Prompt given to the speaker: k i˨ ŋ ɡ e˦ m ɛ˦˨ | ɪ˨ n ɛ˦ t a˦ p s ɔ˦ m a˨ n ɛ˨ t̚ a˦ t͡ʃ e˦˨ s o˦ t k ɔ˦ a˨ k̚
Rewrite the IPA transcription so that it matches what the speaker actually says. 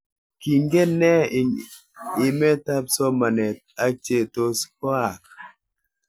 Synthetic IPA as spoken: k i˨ ŋ ɡ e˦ n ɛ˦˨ | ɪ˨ m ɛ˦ t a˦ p s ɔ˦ m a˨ n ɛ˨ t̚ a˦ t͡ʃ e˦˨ t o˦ s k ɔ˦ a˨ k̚

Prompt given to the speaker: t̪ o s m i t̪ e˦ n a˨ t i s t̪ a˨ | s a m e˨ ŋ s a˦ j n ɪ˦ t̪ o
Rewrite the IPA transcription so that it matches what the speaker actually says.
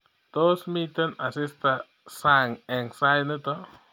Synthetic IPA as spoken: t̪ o s m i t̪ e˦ n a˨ s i s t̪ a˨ | s a ŋ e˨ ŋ s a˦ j n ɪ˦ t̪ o

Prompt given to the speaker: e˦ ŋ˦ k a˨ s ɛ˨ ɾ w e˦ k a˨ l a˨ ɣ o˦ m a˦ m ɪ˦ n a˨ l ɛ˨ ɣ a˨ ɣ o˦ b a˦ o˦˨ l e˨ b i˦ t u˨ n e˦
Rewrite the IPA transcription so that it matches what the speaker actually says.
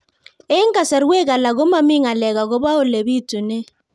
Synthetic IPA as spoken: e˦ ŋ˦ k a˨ s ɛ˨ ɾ w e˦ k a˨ l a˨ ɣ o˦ m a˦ m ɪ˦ ŋ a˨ l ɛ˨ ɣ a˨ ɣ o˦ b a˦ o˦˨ l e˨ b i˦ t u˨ n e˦

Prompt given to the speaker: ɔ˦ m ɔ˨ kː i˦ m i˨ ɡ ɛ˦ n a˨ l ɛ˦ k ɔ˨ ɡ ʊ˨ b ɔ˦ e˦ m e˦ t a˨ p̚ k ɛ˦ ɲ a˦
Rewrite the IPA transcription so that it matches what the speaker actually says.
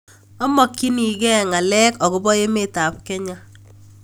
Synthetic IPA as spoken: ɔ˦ m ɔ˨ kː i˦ n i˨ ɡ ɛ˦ ŋ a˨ l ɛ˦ k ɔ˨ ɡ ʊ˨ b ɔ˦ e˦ m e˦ t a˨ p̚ k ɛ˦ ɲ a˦

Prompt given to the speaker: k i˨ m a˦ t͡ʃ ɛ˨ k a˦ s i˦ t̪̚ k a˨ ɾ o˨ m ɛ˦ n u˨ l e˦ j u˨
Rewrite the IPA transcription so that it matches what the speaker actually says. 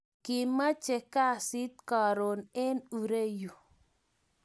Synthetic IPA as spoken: k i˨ m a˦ t͡ʃ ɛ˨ k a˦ s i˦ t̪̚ k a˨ ɾ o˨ n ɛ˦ n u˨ ɾ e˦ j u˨

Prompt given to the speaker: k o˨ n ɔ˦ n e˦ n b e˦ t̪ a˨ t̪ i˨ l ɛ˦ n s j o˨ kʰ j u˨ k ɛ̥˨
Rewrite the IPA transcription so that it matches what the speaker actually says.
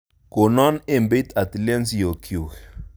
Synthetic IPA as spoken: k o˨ n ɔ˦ n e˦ m b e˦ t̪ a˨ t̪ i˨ l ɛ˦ n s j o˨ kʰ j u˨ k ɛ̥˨

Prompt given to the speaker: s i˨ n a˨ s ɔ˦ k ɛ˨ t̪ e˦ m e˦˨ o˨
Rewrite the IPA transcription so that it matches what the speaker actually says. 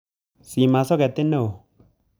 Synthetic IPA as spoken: s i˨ m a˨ s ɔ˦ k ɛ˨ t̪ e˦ n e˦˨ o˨

